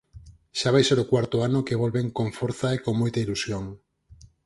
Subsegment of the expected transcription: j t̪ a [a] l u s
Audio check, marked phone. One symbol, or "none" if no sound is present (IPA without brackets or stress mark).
i